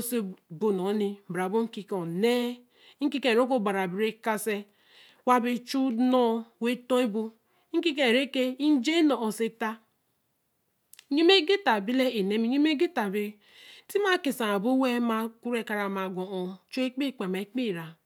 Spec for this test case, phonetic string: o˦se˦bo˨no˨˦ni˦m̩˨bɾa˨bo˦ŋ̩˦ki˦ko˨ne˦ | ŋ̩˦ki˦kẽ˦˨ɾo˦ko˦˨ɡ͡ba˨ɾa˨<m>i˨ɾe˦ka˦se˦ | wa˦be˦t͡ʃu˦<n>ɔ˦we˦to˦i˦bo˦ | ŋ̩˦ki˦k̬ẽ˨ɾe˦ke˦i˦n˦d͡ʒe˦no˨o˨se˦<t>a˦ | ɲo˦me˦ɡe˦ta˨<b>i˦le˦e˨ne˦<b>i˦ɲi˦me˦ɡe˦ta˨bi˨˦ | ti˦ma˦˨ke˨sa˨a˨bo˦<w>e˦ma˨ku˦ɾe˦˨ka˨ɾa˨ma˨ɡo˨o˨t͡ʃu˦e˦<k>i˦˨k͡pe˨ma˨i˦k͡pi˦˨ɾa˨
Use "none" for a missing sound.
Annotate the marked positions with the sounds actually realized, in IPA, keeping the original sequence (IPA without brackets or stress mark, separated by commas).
b, n, t, b, m, w, k͡p